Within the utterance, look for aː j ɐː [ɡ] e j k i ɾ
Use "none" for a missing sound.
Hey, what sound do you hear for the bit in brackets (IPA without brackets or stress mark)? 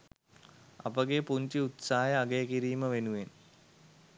ɡ